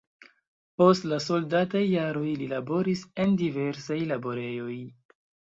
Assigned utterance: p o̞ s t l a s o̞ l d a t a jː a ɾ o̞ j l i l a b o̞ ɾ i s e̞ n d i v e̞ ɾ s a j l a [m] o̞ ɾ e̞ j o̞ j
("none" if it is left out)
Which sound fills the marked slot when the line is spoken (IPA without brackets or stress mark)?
b